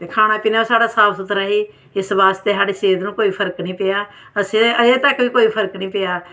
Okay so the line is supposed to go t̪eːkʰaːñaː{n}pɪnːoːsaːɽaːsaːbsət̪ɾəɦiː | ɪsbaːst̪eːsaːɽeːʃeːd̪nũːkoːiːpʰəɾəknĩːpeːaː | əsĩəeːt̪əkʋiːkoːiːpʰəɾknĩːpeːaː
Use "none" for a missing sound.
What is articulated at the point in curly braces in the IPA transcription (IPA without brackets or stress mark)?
none